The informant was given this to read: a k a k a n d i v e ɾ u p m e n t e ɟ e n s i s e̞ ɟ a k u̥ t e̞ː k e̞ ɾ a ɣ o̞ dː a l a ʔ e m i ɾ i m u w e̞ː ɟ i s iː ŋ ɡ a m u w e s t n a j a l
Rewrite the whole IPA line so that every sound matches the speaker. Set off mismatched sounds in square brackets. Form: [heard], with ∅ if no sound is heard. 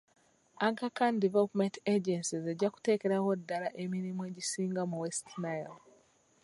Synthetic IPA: a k a k a n d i v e [l] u p m e n t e ɟ e n s i [z] e̞ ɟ a k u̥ t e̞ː k e̞ ɾ a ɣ o̞ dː a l a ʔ e m i ɾ i m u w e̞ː ɟ i s iː ŋ ɡ a m u w e s t n a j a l